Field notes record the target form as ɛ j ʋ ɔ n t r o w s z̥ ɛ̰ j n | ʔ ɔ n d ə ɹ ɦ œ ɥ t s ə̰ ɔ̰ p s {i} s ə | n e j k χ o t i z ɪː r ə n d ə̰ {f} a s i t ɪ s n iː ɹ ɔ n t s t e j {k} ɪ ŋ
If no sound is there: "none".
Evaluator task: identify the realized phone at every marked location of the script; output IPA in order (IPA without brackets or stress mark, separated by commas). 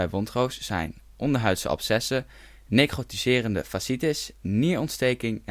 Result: ɛ, f, k